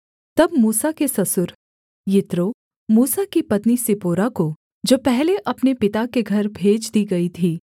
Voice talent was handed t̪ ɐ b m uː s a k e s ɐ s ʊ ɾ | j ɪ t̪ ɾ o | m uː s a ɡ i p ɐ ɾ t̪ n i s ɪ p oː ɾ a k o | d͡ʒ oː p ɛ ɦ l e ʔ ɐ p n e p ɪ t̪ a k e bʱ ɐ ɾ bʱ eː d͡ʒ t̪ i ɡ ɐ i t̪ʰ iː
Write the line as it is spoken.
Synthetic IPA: t̪ ɐ b m uː s a k e s ɐ s ʊ ɾ | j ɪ t̪ ɾ o | m uː s a k i p ɐ t̪ n i s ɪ p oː ɾ a k o | d͡ʒ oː p ɛ ɦ l e ʔ ɐ p n e p ɪ t̪ a k e ɡʱ ɐ ɾ bʱ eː d͡ʒ d̪ i ɡ ɐ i t̪ʰ iː

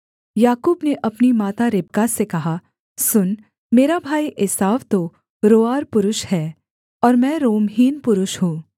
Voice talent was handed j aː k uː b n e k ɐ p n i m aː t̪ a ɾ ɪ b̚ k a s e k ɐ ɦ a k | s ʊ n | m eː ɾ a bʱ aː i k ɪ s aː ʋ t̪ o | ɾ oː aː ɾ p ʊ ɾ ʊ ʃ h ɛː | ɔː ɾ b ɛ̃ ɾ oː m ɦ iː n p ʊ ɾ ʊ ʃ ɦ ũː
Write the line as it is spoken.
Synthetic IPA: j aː k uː b n e ʔ ɐ p n i m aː t̪ a ɾ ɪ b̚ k a s e k ɐ ɦ a | s ʊ n | m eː ɾ a bʱ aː i ʔ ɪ s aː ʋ t̪ o | ɾ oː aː ɾ p ʊ ɾ ʊ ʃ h ɛː | ɔː ɾ m ɛ̃ ɾ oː m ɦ iː n p ʊ ɾ ʊ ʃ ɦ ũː

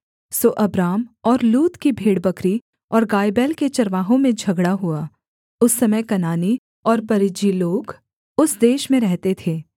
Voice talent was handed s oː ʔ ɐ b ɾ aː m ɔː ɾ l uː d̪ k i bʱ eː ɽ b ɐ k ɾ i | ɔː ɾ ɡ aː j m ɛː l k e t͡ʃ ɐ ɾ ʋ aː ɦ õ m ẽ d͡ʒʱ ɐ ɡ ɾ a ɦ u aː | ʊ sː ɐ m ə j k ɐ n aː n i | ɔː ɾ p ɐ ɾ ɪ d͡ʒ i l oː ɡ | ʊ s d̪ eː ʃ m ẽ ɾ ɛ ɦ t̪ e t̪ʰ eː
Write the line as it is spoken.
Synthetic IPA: s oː ʔ ɐ b ɾ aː m ɔː ɾ l uː t̪ k i bʱ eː ɽ b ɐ k ɾ i | ɔː ɾ ɡ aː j b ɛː l k e t͡ʃ ɐ ɾ ʋ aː ɦ õ m ẽ d͡ʒʱ ɐ ɡ ɽ a ɦ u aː | ʊ sː ɐ m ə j k ɐ n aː n i | ɔː ɾ p ɐ ɾ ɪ d͡ʒ i l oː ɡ | ʊ s d̪ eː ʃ m ẽ ɾ ɛ ɦ t̪ e t̪ʰ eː

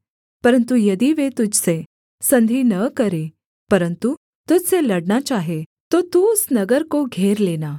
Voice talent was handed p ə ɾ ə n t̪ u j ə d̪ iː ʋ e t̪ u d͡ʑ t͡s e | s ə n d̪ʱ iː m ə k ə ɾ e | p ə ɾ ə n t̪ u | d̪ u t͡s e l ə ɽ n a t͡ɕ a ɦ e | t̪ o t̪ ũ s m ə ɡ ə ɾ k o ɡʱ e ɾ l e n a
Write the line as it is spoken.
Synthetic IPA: p ə ɾ ə n t̪ u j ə d̪ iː ʋ e t̪ u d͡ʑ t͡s e | s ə n d̪ʱ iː n ə k ə ɾ e | p ə ɾ ə n t̪ u | t̪ u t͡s e l ə ɽ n a t͡ɕ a ɦ e | t̪ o t̪ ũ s n ə ɡ ə ɾ k o ɡʱ e ɾ l e n a

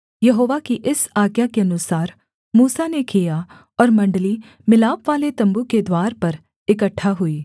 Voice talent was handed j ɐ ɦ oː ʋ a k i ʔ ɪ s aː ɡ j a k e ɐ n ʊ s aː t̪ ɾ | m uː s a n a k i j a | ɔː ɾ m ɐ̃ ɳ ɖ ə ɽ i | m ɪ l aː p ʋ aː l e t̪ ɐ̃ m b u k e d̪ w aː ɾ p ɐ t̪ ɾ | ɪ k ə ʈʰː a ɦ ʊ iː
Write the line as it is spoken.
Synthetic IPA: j ɐ ɦ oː ʋ a k i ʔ ɪ s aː ɡ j a k e ɐ n ʊ s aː ɾ | m uː s a n e k i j a | ɔː ɾ m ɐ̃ ɳ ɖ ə l i | m ɪ l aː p ʋ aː l e t̪ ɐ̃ m b u k e d̪ w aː ɾ p ɐ ɾ | ɪ k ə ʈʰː a ɦ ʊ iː

